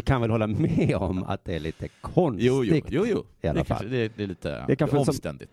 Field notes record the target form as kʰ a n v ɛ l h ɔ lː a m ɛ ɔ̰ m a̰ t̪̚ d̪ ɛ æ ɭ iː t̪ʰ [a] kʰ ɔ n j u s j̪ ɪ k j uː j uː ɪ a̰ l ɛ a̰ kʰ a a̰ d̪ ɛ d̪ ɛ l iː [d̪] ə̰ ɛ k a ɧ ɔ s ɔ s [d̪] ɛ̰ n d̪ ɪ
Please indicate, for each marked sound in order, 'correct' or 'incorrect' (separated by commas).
incorrect, incorrect, incorrect